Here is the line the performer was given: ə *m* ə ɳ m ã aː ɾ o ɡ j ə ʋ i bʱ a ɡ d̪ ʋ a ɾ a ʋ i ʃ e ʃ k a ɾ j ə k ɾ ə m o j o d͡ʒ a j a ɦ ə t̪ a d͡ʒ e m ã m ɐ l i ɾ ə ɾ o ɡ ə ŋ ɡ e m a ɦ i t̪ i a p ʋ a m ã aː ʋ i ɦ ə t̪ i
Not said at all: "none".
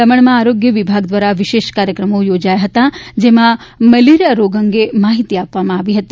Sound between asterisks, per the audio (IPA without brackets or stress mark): m